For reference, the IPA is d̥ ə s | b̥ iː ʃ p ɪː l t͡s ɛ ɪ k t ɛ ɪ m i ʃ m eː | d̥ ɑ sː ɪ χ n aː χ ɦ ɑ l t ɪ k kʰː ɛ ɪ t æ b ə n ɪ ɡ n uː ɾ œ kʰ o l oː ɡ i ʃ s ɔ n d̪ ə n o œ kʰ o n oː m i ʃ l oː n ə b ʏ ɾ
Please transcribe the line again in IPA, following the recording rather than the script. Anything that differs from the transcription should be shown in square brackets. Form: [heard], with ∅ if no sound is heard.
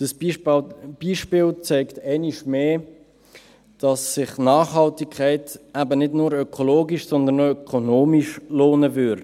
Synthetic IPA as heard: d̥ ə s | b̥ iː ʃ p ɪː l t͡s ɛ ɪ k t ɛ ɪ [n] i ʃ m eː | d̥ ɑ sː ɪ χ n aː χ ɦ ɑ l t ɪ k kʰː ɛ ɪ t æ b ə n ɪ [d] n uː ɾ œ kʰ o l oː ɡ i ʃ s ɔ n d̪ ə n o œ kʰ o n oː m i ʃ l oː n ə [v] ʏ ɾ